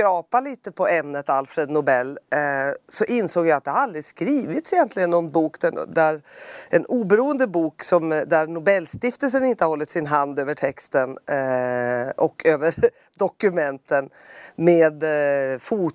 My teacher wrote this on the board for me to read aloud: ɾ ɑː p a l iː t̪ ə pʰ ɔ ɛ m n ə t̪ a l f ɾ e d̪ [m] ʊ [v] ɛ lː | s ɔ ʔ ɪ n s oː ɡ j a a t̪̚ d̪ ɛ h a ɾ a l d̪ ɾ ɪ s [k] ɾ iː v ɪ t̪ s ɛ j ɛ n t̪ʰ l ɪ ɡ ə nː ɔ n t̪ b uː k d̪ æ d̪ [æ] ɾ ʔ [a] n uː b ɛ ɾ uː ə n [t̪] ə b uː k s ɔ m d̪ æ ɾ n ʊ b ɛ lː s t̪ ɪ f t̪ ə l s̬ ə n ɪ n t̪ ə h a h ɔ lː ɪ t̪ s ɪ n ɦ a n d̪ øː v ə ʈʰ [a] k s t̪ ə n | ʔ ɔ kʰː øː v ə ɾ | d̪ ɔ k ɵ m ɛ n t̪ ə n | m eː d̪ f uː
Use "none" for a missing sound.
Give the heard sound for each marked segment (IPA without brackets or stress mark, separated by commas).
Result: n, b, k, æ, ɛ, d̪, ɛ